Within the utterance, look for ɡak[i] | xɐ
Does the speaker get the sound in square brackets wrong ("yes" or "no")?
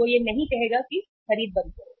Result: no